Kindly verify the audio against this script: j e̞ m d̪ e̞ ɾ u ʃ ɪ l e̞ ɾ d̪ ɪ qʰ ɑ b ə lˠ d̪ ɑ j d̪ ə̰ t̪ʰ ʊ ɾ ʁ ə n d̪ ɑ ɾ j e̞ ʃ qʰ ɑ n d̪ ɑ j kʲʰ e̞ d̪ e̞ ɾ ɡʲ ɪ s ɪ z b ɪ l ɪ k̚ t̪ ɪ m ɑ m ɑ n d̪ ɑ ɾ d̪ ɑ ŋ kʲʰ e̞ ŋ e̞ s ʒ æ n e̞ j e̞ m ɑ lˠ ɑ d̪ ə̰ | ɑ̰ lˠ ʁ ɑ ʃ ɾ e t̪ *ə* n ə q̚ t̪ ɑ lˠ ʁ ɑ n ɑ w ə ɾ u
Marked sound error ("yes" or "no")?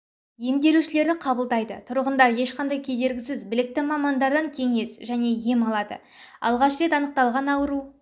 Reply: yes